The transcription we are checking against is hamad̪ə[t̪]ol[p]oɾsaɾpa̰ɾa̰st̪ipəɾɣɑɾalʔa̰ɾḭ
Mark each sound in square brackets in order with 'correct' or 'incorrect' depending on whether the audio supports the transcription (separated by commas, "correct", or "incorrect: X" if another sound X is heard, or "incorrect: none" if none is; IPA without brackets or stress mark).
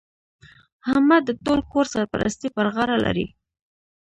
correct, incorrect: k